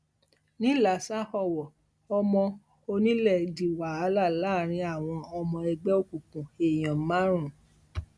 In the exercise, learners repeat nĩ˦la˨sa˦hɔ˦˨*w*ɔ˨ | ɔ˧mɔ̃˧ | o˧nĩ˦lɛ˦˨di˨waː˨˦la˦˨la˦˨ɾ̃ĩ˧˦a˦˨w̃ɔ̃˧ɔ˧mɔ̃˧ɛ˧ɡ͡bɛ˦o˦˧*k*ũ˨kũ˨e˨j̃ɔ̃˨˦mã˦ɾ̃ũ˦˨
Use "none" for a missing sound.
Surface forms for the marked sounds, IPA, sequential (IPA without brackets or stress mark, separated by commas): w, k